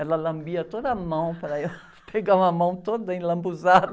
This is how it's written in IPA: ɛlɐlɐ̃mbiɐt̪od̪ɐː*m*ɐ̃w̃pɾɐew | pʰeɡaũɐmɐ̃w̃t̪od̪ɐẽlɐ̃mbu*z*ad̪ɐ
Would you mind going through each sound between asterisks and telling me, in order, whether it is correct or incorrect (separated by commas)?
correct, correct